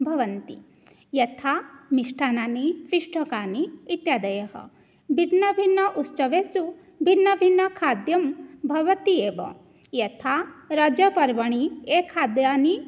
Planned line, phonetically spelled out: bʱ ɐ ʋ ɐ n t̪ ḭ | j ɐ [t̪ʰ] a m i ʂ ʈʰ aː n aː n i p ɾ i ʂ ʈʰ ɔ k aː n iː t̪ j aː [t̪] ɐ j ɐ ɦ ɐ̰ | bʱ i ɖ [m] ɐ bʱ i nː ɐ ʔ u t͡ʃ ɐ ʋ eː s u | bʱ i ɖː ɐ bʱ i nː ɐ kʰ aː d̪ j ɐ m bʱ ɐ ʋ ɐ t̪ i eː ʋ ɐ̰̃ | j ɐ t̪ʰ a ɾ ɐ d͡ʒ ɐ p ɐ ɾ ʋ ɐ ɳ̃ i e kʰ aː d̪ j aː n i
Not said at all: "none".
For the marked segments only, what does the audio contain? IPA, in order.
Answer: t̪ʰ, d̪, n

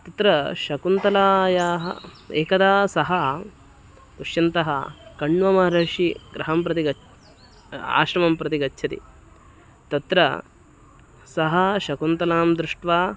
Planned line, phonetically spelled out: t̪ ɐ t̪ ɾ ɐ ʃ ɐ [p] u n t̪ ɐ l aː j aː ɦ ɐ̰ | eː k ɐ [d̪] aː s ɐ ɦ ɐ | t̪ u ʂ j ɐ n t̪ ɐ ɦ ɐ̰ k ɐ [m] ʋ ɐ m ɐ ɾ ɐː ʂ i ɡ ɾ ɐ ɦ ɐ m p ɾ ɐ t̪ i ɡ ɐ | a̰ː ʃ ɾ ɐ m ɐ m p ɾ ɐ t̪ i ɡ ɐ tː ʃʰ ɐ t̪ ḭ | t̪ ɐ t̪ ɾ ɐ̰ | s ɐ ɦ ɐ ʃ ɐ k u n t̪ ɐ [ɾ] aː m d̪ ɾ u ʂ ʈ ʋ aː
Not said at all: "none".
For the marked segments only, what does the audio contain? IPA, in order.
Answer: k, d̪, ɳ, l

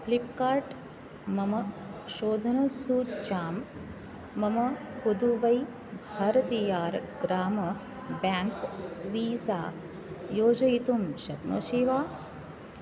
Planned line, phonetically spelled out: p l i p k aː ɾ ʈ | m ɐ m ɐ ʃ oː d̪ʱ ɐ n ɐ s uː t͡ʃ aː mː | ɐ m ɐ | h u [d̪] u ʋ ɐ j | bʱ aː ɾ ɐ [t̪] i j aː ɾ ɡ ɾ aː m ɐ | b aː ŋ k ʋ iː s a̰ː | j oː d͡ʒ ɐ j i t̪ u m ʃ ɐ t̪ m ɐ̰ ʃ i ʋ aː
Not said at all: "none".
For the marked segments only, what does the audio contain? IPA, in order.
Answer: d̪, t̪

